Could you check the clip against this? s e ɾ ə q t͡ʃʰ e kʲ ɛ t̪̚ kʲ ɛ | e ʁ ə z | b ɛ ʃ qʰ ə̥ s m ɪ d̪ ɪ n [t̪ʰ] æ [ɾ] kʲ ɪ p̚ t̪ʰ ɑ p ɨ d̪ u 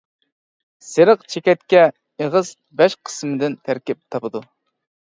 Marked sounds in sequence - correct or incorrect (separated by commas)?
correct, correct